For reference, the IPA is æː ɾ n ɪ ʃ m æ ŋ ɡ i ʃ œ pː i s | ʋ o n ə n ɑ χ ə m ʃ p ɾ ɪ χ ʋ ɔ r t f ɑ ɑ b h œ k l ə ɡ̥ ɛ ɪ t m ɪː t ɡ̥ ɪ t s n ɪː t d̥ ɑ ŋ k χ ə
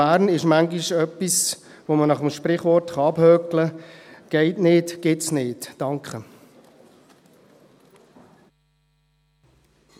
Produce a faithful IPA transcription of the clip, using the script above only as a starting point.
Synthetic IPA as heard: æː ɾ n ɪ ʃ m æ ŋ ɡ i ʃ œ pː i s | ʋ o m ə n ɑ χ ə m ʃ p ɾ ɪ χ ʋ ɔ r t χ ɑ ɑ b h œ k l ə ɡ̥ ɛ ɪ t n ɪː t ɡ̥ ɪ t s n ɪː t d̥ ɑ ŋ k χ ə